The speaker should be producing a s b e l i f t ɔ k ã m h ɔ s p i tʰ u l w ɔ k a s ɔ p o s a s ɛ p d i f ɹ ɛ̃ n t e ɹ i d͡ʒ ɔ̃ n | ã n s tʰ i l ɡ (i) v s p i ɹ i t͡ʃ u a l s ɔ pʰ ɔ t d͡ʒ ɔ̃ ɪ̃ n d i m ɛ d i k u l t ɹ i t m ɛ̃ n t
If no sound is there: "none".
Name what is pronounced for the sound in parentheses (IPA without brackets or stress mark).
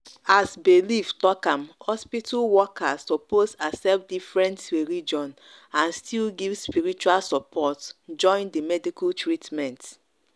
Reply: i